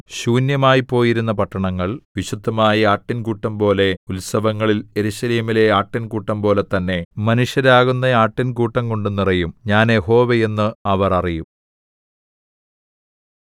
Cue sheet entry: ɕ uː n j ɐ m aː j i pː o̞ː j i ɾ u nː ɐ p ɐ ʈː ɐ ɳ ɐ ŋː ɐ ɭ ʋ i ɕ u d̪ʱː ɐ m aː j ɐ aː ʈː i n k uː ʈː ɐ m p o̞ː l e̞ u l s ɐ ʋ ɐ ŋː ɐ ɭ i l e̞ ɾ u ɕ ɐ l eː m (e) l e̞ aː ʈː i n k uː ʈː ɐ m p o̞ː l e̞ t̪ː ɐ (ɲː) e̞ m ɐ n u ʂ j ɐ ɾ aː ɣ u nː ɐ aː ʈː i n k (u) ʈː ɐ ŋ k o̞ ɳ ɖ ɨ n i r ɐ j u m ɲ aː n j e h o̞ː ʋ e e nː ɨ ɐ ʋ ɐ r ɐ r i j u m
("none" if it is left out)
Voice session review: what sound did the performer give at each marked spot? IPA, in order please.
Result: i, nː, uː

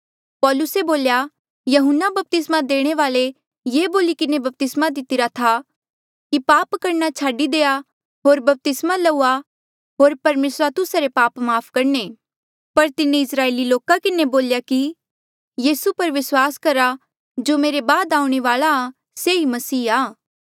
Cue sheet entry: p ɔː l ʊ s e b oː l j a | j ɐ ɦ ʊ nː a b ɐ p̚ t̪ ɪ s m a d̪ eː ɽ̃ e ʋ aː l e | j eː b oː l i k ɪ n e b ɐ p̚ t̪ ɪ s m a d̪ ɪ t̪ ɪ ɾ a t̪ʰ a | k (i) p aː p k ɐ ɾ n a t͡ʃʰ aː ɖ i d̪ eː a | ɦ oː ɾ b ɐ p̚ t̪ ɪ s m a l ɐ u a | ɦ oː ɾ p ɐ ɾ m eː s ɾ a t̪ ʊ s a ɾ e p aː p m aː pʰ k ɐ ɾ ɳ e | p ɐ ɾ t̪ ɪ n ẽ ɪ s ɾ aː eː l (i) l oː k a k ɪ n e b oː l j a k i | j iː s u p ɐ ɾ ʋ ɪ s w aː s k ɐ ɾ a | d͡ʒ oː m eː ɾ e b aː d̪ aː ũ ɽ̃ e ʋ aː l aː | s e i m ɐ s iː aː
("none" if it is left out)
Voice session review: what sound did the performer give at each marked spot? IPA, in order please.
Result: i, i

